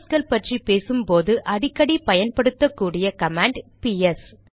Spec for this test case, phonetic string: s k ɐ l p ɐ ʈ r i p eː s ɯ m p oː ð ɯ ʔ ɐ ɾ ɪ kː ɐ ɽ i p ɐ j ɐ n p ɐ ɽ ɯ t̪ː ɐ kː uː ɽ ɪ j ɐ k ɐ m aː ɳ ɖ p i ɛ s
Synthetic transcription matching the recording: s k ɐ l p ɐ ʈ r i p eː s ɯ m p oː ð ɯ ʔ ɐ ɽ ɪ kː ɐ ɽ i p ɐ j ɐ n p ɐ ɽ ɯ t̪ː ɐ kː uː ɽ ɪ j ɐ k ɐ m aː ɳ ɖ p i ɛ s